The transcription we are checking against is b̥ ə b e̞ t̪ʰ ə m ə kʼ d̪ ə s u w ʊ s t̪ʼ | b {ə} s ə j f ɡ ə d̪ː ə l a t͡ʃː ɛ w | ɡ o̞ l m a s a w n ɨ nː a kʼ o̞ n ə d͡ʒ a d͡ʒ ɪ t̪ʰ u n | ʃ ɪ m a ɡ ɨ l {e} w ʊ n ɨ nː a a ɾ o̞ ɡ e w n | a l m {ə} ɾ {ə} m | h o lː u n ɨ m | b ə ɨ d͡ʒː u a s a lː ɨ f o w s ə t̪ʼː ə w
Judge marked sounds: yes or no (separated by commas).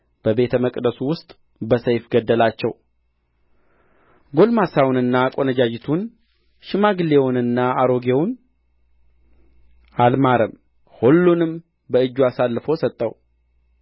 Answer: yes, yes, no, yes